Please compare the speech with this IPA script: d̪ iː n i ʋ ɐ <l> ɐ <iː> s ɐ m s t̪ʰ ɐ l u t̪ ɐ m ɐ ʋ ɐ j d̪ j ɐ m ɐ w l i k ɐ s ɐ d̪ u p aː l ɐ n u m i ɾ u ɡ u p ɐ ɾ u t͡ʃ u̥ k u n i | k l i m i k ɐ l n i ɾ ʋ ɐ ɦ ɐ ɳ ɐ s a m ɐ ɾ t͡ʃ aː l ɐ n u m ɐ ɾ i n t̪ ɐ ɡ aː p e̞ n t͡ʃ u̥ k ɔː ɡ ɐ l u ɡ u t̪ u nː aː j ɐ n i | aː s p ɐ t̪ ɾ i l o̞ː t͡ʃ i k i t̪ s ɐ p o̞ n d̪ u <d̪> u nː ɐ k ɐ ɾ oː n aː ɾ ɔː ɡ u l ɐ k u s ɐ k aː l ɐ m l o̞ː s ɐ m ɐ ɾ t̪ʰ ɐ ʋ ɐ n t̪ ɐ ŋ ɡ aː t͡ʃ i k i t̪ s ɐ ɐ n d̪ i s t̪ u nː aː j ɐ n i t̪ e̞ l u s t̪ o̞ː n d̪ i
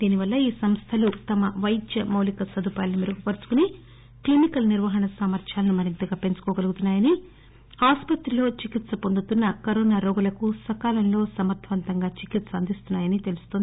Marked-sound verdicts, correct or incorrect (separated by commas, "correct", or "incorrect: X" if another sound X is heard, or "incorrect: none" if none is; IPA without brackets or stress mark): incorrect: lː, correct, incorrect: t̪